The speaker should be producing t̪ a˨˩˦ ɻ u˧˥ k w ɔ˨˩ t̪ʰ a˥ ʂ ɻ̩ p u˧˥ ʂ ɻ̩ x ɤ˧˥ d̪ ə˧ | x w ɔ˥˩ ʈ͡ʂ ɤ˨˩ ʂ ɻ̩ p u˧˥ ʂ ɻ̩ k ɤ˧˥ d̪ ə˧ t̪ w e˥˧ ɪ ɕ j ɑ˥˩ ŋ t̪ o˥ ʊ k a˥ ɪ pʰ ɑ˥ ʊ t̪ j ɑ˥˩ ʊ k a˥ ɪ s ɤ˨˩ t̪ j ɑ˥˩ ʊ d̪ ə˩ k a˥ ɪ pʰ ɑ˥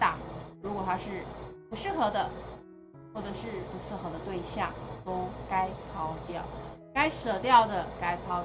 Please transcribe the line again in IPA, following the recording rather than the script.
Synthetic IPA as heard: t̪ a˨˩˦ ɻ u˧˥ k w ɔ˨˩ t̪ʰ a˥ ʂ ɻ̩ p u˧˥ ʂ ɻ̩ x ɤ˧˥ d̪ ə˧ | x w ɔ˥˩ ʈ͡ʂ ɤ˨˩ ʂ ɻ̩ p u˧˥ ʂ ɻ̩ x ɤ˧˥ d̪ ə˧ t̪ w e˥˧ ɪ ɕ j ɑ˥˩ ŋ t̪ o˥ ʊ k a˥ ɪ pʰ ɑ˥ ʊ t̪ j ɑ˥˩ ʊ k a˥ ɪ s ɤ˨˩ t̪ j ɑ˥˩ ʊ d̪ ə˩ k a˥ ɪ pʰ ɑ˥

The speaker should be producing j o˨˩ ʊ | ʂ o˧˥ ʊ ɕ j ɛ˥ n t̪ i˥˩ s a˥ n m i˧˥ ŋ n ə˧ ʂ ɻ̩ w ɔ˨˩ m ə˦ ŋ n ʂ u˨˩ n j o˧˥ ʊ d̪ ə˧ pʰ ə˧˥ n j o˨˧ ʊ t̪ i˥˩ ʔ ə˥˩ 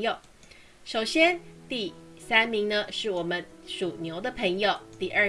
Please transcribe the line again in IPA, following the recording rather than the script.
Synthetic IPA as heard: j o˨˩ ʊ | ʂ o˨˩ ʊ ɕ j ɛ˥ n t̪ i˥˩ s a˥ n m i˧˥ ŋ n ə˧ ʂ ɻ̩ w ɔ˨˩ m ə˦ n ʂ u˨˩ n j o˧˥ ʊ d̪ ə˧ pʰ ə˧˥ ŋ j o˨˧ ʊ t̪ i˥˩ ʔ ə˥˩

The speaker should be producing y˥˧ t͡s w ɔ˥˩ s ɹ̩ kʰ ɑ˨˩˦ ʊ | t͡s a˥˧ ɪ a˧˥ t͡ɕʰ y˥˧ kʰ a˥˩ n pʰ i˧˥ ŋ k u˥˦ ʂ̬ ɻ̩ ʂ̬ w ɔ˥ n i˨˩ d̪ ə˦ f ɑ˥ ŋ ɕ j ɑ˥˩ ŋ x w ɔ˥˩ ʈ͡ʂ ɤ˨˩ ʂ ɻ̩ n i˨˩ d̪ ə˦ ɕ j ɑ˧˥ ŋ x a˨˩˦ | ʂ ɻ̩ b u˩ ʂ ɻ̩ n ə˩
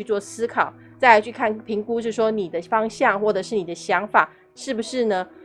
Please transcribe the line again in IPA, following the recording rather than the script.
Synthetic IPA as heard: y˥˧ t͡s w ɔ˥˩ s ɹ̩ kʰ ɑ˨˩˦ ʊ | t͡s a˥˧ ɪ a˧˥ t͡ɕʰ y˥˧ kʰ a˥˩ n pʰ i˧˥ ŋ k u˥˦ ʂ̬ ɻ̩ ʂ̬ w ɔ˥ n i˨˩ d̪ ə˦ f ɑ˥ ŋ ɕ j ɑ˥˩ ŋ x w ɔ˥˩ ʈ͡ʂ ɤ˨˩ ʂ ɻ̩ n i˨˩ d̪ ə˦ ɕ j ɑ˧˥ ŋ f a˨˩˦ | ʂ ɻ̩ b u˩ ʂ ɻ̩ n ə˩

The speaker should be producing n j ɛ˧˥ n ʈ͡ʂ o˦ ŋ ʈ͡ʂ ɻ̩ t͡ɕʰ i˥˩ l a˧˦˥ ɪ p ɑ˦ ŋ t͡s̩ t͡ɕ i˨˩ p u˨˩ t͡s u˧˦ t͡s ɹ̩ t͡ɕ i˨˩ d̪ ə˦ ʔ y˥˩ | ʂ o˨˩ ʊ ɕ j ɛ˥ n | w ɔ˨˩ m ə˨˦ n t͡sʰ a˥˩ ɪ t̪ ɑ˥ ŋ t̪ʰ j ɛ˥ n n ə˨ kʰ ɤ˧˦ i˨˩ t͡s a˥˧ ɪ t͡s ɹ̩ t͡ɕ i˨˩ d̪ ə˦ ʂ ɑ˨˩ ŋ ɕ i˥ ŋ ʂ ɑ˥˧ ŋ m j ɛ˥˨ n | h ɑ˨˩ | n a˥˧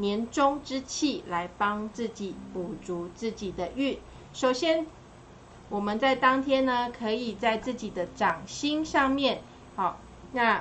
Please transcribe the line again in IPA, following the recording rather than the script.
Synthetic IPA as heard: n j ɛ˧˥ n ʈ͡ʂ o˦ ŋ ʈ͡ʂ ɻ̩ t͡ɕʰ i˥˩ l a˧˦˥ ɪ p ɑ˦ ŋ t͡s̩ t͡ɕ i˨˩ p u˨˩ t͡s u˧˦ t͡s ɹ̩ t͡ɕ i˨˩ d̪ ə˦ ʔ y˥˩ | ʂ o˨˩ ʊ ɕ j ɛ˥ n | w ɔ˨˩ m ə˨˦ n t͡s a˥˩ ɪ t̪ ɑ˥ ŋ t̪ʰ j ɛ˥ n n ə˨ kʰ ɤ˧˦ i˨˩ t͡s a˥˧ ɪ t͡s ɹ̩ t͡ɕ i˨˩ d̪ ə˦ ʈ͡ʂ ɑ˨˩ ŋ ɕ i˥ ŋ ʂ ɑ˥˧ ŋ m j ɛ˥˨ n | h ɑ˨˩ | n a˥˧

